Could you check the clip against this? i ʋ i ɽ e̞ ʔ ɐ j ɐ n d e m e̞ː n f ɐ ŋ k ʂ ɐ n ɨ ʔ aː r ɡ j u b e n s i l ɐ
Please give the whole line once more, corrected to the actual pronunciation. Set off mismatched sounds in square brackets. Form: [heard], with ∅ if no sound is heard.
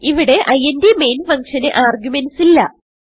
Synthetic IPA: i ʋ i ɽ e̞ ʔ ɐ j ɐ n d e m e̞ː n f ɐ ŋ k ʂ ɐ n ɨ ʔ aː r ɡ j u [m] e n s i [lː] ɐ